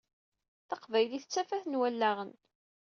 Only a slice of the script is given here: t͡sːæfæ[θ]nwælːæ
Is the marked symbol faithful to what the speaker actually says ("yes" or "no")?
yes